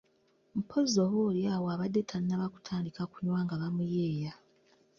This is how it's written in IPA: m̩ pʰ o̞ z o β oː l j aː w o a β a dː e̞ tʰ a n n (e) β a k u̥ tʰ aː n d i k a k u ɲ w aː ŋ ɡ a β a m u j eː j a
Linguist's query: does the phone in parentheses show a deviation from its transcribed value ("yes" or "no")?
yes